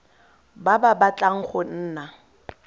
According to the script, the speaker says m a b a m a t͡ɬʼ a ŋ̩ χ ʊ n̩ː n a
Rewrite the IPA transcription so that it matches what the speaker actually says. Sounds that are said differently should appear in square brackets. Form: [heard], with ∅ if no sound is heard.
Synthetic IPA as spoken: [b] a b a [b] a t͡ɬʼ a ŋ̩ χ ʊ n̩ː n a